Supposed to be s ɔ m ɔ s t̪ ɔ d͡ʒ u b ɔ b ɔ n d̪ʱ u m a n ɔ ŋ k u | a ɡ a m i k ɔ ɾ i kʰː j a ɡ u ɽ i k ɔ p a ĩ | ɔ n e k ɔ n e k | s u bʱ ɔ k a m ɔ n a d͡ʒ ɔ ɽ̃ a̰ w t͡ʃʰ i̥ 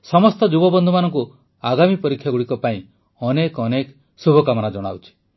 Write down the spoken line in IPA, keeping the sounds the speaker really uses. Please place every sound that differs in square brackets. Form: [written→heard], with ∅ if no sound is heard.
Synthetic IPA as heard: s ɔ m ɔ s t̪ ɔ d͡ʒ u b ɔ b ɔ n d̪ʱ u m a n ɔ ŋ k u | a ɡ a m i [k→p] ɔ ɾ i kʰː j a ɡ u ɽ i k ɔ p a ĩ | ɔ n e k ɔ n e k | s u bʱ ɔ k a m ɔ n a d͡ʒ ɔ ɽ̃ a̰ w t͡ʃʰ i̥